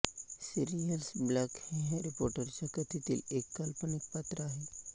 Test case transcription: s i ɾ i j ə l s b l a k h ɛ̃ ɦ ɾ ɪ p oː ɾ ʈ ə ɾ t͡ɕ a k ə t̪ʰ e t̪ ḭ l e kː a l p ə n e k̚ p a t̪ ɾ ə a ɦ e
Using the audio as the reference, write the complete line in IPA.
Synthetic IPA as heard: s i ɾ i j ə l s b l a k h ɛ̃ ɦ ɾ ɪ p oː ɾ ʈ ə ɾ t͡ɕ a k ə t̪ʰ i t̪ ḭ l e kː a l p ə n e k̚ p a t̪ ɾ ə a ɦ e

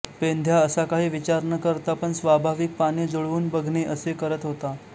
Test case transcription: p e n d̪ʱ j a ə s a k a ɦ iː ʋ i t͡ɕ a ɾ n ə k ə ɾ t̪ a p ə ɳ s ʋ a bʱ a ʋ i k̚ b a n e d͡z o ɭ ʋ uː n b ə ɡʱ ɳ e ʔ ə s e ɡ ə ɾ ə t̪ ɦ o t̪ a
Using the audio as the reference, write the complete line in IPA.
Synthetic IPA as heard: p e n d̪ʱ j a ə s a k a ɦ iː ʋ i t͡ɕ a ɾ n ə k ə ɾ t̪ a p ə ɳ s ʋ a bʱ a ʋ i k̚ p a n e d͡z o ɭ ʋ uː n b ə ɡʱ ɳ e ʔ ə s e k ə ɾ ə t̪ ɦ o t̪ a

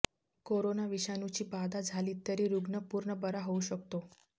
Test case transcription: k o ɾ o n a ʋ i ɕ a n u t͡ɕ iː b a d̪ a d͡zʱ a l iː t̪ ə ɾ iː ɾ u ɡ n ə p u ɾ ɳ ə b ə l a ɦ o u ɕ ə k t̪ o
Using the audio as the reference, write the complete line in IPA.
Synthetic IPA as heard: k o ɾ o n a ʋ i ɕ a n u t͡ɕ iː b a d̪ a d͡zʱ a l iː t̪ ə ɾ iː ɾ u ɡ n ə p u ɾ ɳ ə b ə ɾ a ɦ o u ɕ ə k t̪ o

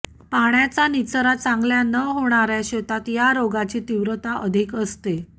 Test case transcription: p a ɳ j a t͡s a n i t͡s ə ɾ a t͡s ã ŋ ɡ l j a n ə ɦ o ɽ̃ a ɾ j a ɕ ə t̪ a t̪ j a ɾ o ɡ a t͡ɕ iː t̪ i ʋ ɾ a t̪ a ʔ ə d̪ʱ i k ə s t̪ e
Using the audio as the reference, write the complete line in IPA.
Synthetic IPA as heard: p a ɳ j a t͡s a n i t͡s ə ɾ a t͡s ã ŋ ɡ l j a n ə ɦ o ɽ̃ a ɾ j a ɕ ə t̪ a t̪ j a ɾ o ɡ a t͡ɕ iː t̪ i ʋ ɾ ə t̪ a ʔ ə d̪ʱ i k ə s t̪ e

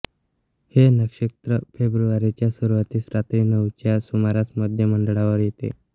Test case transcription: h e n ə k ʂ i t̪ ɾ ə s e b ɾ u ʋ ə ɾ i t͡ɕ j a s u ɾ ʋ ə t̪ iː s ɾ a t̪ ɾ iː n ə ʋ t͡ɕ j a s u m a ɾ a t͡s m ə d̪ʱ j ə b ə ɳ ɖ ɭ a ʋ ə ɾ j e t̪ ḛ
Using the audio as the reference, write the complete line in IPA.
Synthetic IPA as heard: h e n ə k ʂ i t̪ ɾ ə f e b ɾ u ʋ a ɾ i t͡ɕ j a s u ɾ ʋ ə t̪ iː s ɾ a t̪ ɾ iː n ə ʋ t͡ɕ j a s u m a ɾ a t͡s m ə d̪ʱ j ə m ə ɳ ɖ ɭ a ʋ ə ɾ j e t̪ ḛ

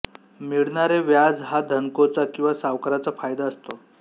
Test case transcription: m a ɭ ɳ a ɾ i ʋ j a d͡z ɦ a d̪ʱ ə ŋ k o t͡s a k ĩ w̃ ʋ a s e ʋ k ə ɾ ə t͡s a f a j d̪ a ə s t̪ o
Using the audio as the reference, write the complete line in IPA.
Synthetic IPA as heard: m i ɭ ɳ a ɾ e ʋ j a d͡z ɦ a d̪ʱ ə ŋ k o t͡s a k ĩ w̃ ʋ a s a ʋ k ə ɾ a t͡s a f a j d̪ a ə s t̪ o

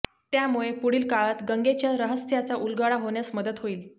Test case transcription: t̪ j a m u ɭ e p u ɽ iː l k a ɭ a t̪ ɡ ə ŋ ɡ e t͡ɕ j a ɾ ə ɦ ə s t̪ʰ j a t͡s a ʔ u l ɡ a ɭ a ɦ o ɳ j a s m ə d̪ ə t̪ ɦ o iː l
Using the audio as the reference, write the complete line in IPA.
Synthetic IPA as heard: t̪ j a m u ɭ e p u ɽ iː l k a ɭ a t̪ ɡ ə ŋ ɡ e t͡ɕ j a ɾ ə ɦ ə s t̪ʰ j a t͡s a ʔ u l ɡ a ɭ a ɦ o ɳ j a s m ə d̪ ə t̪ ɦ o iː l

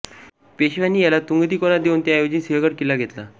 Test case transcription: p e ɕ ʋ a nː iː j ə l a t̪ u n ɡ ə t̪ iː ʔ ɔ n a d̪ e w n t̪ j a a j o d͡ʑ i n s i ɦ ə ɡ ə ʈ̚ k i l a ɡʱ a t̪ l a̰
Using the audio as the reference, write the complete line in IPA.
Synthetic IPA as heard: p e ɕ ʋ a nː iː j a l a t̪ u ŋ ɡ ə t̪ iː k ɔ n a d̪ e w n t̪ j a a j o d͡ʑ i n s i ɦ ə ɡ ə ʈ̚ k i l a ɡʱ e t̪ l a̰

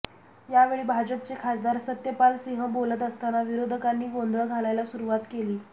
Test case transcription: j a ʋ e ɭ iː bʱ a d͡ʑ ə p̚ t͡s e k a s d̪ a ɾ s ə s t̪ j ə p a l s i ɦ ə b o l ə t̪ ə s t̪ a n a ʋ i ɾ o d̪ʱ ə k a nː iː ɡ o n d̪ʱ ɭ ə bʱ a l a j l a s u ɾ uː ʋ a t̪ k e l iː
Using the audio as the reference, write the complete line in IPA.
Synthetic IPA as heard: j a ʋ e ɭ iː bʱ a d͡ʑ ə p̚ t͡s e kʰ a s d̪ a ɾ s ə t̪ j ə p a l s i ɦ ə b o l ə t̪ ə s t̪ a n a ʋ i ɾ o d̪ʱ ə k a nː iː ɡ o n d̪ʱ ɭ ə ɡʱ a l a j l a s u ɾ u ʋ a t̪ k e l iː

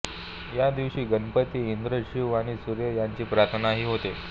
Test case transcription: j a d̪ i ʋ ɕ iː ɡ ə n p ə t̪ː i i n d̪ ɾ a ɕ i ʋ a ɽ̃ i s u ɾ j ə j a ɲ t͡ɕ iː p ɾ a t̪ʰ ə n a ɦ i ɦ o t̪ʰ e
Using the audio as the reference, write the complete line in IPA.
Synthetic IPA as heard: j a d̪ i ʋ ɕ iː ɡ ə n p ə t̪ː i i n d̪ ɾ ə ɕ i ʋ a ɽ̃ i s u ɾ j ə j a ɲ t͡ɕ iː p ɾ a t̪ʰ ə n a ɦ iː ɦ o t̪ e

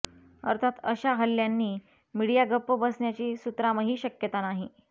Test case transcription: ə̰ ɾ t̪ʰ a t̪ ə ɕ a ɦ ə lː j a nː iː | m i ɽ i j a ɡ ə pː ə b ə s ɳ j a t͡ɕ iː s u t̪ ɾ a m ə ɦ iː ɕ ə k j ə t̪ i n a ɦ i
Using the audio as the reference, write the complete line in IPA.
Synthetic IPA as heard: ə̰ ɾ t̪ʰ a t̪ ə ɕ a ɦ ə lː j a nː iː | m i ɽ i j a ɡ ə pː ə b ə s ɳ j a t͡ɕ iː s u t̪ ɾ a m ə ɦ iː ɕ ə k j ə t̪ a n a ɦ i

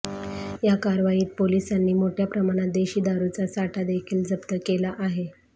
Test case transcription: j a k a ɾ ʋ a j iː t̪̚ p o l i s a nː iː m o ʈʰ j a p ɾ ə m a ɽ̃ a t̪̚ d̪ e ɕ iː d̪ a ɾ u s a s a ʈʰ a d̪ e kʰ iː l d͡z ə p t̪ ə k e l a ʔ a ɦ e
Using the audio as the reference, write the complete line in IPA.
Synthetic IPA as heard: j a k a ɾ ʋ a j iː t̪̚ p o l i s a nː iː m o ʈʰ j a p ɾ ə m a ɽ̃ a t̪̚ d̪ e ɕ iː d̪ a ɾ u t͡s a s a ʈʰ a d̪ e kʰ iː l d͡z ə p t̪ ə k e l a ʔ a ɦ e

